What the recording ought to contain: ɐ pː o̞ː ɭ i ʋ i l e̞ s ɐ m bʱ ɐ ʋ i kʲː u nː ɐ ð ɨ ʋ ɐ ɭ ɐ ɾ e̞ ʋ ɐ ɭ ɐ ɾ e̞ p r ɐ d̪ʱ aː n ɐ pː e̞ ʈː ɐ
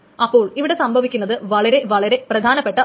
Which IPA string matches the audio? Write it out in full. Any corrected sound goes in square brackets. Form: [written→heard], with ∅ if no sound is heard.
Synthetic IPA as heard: ɐ pː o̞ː ɭ i ʋ i [l→ɽ] e̞ s ɐ m bʱ ɐ ʋ i kʲː u nː ɐ ð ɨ ʋ ɐ ɭ ɐ ɾ e̞ ʋ ɐ ɭ ɐ ɾ e̞ p r ɐ d̪ʱ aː n ɐ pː e̞ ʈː ɐ